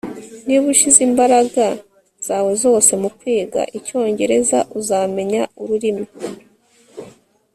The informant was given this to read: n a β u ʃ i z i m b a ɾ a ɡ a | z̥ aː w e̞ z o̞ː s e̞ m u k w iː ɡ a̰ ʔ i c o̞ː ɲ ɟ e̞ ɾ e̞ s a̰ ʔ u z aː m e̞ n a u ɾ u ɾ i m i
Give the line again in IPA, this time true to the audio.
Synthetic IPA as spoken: n i β u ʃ i z i m b a ɾ a ɡ a | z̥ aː w e̞ z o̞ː s e̞ m u k w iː ɡ a̰ ʔ i c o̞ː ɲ ɟ e̞ ɾ e̞ z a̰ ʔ u z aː m e̞ ɲ a u ɾ u ɾ i m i